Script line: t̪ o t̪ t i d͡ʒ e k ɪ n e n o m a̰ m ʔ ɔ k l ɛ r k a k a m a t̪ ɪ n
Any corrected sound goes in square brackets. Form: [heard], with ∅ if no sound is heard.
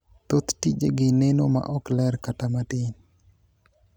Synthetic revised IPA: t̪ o t̪ t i d͡ʒ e [ɡ] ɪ n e n o m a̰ [∅] ʔ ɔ k l ɛ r k a [t] a m a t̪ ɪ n